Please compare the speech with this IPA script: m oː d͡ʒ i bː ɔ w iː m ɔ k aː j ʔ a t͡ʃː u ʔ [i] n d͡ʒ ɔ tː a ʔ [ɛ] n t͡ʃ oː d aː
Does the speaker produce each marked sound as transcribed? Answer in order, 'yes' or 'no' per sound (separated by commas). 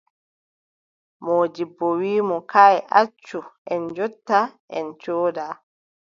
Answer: no, yes